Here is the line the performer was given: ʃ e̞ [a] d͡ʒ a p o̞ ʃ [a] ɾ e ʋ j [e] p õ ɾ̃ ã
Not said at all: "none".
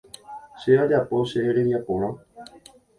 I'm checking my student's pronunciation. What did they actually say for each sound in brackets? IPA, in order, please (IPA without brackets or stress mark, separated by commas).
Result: a, e, a